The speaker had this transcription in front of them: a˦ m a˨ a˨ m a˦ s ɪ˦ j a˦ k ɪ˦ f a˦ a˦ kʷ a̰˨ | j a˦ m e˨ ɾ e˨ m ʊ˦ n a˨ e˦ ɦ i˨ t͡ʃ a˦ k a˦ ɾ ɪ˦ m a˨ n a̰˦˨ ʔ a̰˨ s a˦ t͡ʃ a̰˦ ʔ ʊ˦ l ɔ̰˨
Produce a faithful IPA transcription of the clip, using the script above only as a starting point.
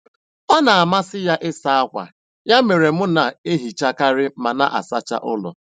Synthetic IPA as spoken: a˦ n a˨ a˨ m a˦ s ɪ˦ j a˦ ʔ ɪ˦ s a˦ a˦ kʷ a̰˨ | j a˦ m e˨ ɾ e˨ m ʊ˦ n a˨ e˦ ɦ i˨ t͡ʃ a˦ k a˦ ɾ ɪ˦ m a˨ n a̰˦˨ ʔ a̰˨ s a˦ t͡ʃ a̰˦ ʔ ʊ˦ l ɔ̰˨